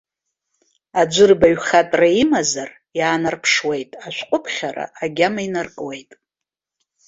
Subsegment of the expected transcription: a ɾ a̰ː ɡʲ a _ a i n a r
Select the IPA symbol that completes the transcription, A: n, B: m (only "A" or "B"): B